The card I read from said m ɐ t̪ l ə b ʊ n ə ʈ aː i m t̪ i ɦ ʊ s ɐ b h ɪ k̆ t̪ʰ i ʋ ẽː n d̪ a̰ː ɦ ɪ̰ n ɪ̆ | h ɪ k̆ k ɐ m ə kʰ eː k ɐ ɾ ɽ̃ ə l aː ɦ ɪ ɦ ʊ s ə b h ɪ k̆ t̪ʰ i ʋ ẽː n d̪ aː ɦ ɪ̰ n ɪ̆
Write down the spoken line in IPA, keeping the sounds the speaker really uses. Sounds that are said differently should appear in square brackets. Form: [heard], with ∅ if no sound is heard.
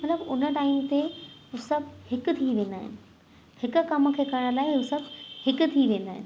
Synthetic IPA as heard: m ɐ t̪ l ə b ʊ n ə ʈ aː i m t̪ [e] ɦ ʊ s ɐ b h ɪ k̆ t̪ʰ i ʋ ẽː n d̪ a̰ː ɦ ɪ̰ n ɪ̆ | h ɪ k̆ k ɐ m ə kʰ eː k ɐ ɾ ɽ̃ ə l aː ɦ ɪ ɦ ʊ s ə b h ɪ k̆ t̪ʰ i ʋ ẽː n d̪ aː ɦ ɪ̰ n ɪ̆